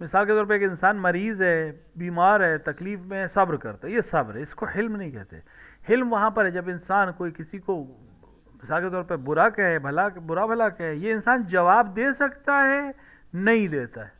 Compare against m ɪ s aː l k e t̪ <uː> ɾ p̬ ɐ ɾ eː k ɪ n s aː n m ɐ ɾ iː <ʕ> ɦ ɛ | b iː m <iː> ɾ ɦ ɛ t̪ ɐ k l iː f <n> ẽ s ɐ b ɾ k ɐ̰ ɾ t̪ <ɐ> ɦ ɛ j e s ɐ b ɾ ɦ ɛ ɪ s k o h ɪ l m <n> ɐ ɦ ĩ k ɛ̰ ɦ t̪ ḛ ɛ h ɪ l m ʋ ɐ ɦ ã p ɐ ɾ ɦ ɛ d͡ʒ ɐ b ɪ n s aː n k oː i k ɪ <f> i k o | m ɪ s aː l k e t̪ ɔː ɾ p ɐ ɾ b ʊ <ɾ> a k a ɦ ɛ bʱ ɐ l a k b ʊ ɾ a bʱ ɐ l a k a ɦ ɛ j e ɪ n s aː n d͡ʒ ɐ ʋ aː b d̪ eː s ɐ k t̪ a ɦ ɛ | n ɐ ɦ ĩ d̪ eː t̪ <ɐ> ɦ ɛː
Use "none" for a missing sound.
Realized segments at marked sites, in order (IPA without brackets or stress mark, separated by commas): ɔː, z, aː, m, a, n, s, ɾ, a